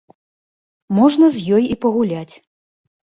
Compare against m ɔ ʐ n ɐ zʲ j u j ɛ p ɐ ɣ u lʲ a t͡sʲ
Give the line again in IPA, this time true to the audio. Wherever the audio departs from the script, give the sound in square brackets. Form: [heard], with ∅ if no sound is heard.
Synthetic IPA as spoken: m ɔ ʐ n ɐ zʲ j [ɔ] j [i] p ɐ ɣ u lʲ a t͡sʲ